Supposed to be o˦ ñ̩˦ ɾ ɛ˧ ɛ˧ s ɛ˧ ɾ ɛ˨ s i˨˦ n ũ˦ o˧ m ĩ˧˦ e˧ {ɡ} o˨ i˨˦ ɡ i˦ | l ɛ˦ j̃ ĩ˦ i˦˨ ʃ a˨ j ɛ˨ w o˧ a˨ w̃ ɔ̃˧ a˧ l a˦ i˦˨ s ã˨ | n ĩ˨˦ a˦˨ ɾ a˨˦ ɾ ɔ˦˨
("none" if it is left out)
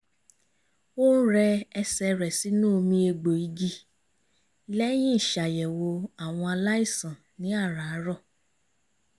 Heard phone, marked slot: ɡ͡b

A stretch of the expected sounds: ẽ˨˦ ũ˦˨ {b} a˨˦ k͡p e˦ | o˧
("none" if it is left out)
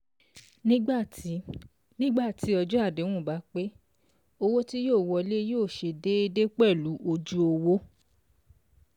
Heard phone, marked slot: b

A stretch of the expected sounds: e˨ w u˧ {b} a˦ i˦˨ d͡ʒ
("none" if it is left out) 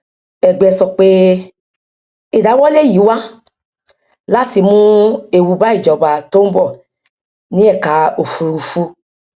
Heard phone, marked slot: b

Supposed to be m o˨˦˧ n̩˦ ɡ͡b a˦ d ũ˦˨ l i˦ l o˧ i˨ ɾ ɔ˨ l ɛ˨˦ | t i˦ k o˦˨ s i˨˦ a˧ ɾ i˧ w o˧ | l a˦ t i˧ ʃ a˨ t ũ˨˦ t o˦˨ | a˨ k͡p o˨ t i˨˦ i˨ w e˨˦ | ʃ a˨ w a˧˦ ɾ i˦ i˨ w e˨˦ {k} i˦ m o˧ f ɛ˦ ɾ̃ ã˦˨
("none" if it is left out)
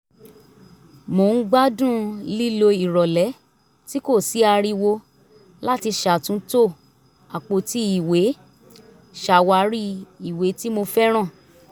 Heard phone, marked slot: t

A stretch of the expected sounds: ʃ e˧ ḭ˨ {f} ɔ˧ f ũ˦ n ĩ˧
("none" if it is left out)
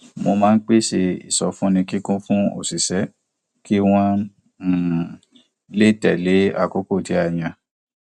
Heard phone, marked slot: s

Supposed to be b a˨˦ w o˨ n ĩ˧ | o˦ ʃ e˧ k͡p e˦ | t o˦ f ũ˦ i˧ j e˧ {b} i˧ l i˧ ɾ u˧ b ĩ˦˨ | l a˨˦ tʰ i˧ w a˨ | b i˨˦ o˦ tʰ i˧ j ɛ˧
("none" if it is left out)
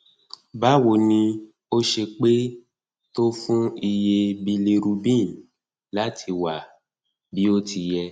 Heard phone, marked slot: b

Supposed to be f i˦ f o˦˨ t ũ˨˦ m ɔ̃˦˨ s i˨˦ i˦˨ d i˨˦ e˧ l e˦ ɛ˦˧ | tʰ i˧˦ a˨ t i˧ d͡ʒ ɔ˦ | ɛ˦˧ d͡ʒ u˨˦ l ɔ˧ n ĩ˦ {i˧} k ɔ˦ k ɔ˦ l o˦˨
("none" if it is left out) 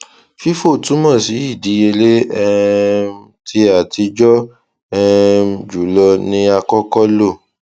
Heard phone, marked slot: a˧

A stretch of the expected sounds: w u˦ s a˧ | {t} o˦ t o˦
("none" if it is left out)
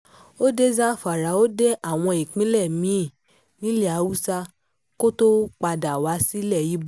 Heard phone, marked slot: k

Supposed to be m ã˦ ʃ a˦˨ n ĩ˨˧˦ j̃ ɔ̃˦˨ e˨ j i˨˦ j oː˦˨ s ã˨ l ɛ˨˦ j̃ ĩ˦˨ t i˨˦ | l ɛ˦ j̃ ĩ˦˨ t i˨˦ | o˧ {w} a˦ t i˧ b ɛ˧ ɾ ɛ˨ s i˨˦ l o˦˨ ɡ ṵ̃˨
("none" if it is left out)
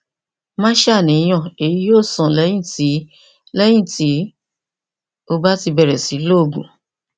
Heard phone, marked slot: b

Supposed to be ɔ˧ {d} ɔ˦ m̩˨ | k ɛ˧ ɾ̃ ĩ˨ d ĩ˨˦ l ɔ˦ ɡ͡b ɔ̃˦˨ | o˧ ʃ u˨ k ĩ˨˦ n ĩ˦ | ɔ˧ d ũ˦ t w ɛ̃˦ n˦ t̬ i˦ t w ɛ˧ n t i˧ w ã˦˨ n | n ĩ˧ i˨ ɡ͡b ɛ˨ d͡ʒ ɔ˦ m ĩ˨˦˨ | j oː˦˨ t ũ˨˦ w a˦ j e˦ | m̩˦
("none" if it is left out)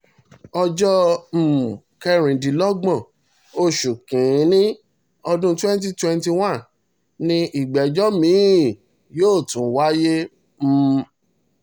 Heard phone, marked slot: d͡ʒ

